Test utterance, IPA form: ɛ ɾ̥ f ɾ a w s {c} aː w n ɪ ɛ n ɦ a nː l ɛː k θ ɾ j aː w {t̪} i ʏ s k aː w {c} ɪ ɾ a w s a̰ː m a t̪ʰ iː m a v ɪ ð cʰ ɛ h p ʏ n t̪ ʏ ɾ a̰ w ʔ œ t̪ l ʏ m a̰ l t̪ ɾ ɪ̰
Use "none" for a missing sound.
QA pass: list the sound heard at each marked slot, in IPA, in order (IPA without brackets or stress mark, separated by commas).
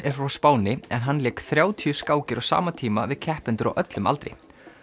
p, t̪ʰ, c